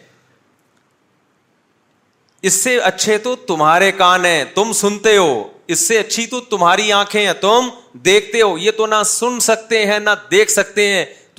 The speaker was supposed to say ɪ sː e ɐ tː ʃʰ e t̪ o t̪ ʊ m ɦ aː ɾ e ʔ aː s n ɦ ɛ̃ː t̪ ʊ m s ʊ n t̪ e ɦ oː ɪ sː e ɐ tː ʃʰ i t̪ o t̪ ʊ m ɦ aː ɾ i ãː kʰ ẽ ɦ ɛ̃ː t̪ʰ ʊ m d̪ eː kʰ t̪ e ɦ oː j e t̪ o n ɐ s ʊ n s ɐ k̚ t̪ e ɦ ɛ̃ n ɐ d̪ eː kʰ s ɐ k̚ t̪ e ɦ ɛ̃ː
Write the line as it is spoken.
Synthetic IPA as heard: ɪ sː e ɐ tː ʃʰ e t̪ o t̪ ʊ m ɦ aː ɾ e k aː n ɦ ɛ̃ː t̪ ʊ m s ʊ n t̪ e ɦ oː ɪ sː e ɐ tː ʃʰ i t̪ o t̪ ʊ m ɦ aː ɾ i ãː kʰ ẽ ɦ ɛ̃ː t̪ ʊ m d̪ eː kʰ t̪ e ɦ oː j e t̪ o n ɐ s ʊ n s ɐ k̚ t̪ e ɦ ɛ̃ n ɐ d̪ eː kʰ s ɐ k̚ t̪ e ɦ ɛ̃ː